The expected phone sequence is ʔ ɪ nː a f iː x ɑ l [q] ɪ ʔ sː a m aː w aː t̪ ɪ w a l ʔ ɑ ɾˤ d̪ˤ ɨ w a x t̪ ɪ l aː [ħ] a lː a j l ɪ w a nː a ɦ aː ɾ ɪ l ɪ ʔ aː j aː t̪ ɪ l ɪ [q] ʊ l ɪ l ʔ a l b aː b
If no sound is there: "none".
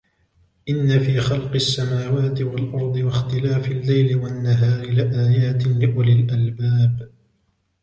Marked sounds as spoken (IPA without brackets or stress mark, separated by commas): q, f, ʔ